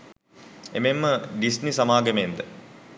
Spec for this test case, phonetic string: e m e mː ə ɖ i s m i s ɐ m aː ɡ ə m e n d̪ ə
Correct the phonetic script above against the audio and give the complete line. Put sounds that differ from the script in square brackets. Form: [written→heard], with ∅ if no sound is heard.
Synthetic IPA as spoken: e m e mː ə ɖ i s [m→n] i s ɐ m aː ɡ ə m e n d̪ ə